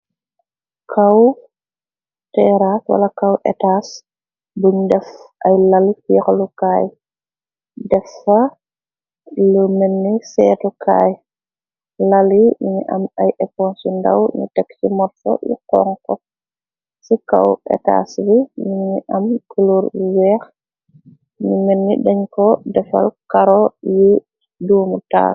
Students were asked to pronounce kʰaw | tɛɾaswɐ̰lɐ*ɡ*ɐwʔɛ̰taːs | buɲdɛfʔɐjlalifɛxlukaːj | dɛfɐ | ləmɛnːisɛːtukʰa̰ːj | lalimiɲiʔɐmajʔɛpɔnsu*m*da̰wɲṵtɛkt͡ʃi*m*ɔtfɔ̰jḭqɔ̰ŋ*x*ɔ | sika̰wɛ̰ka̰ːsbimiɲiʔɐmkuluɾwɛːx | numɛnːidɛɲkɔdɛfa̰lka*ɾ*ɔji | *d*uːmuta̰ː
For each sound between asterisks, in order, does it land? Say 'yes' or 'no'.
no, no, yes, no, yes, yes

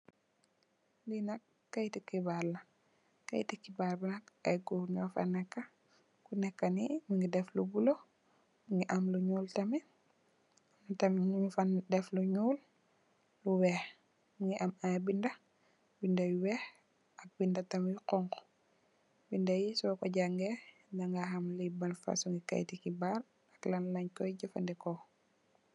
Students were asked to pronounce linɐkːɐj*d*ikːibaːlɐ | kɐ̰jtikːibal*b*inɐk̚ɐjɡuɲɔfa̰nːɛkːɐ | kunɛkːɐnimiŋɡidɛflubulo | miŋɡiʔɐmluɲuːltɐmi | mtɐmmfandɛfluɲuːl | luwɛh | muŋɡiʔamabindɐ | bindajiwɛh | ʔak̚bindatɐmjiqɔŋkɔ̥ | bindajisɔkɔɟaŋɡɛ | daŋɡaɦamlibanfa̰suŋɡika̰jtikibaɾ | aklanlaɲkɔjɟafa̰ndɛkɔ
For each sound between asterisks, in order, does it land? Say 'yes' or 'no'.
no, yes

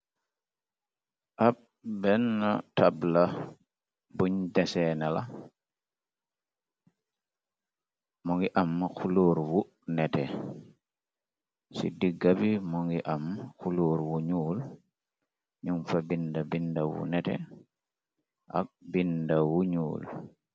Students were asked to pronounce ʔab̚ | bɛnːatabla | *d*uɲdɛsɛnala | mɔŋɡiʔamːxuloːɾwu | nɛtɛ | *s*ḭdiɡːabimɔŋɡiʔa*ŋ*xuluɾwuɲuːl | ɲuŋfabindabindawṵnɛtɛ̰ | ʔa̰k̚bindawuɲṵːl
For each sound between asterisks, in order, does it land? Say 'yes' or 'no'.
no, yes, no

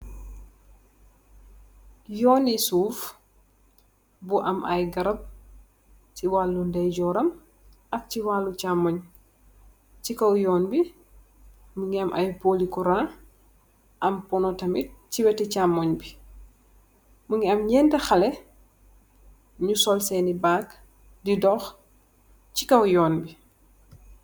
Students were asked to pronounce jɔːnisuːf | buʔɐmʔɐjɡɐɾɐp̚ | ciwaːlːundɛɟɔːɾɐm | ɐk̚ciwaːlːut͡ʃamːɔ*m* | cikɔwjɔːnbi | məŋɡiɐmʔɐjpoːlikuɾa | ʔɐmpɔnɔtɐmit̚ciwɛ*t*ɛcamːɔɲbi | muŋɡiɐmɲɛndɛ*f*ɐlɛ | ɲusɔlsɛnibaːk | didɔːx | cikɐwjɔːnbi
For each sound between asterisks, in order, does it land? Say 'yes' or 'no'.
no, yes, no

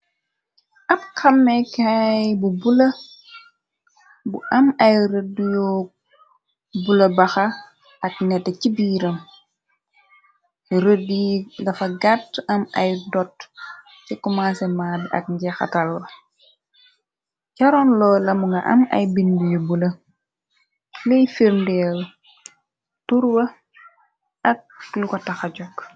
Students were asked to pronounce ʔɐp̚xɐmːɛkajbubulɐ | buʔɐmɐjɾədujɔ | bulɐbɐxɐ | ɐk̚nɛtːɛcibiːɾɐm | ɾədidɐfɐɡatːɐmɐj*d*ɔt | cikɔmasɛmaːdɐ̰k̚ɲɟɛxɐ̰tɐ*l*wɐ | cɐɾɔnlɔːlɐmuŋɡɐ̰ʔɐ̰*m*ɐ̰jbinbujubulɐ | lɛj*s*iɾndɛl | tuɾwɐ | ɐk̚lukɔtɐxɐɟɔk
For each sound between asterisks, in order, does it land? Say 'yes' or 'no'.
yes, yes, yes, no

